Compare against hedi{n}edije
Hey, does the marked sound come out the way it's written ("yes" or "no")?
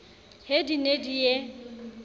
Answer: yes